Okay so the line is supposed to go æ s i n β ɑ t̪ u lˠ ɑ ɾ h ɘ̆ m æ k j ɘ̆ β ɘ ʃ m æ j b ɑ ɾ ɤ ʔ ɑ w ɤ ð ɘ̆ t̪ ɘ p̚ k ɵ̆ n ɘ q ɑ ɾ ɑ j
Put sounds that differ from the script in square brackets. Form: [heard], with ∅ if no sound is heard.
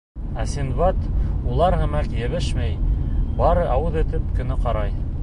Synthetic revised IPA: æ s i n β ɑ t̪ u lˠ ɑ ɾ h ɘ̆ m æ k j ɘ̆ β ɘ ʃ m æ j b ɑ ɾ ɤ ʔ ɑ w ɤ ð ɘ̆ t̪ ɘ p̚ k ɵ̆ n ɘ q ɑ ɾ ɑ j